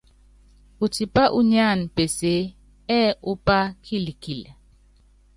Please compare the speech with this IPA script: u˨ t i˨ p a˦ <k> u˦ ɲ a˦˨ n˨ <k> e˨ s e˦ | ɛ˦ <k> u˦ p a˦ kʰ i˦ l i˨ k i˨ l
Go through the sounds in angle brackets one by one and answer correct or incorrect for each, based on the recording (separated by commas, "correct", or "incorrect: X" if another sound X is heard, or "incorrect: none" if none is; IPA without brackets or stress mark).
incorrect: ʔ, incorrect: p, incorrect: none